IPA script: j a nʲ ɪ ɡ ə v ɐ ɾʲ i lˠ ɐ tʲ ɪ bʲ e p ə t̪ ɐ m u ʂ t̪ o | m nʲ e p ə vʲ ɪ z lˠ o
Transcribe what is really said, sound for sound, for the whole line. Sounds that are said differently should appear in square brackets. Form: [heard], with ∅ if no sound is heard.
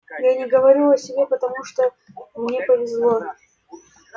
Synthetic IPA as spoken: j a nʲ ɪ ɡ ə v ɐ ɾʲ i lˠ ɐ [sʲ] ɪ bʲ e p ə t̪ ɐ m u ʂ t̪ o | m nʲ e p ə vʲ ɪ z lˠ o